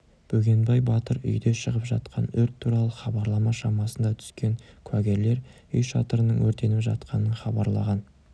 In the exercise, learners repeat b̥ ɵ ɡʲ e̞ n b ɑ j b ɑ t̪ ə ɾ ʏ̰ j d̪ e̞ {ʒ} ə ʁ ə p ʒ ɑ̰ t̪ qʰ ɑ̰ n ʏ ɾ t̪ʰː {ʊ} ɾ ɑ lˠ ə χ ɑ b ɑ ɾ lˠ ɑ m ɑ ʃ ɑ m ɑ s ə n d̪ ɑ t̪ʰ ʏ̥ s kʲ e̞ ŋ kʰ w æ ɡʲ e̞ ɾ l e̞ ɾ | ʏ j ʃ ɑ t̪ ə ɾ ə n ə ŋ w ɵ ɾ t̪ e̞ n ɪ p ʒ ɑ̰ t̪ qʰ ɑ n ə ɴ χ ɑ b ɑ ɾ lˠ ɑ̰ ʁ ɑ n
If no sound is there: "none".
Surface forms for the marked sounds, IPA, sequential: ʃ, u

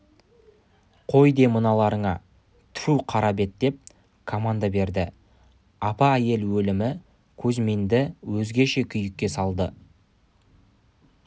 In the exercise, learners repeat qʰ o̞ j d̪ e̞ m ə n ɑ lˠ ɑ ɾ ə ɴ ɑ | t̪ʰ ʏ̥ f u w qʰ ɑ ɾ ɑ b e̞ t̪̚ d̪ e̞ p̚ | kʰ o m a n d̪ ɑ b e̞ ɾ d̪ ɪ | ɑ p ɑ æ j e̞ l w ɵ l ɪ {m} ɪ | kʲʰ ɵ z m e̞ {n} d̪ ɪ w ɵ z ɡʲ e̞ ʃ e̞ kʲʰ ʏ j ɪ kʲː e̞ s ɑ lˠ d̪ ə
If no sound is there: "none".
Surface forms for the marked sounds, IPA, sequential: m, n

